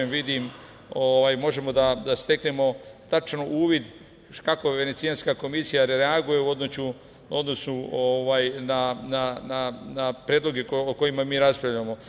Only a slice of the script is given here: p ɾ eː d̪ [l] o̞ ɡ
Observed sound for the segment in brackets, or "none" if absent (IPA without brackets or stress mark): l